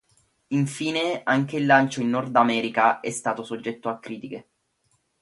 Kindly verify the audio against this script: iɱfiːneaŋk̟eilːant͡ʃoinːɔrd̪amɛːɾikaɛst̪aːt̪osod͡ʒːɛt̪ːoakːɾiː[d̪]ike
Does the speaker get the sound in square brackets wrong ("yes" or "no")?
yes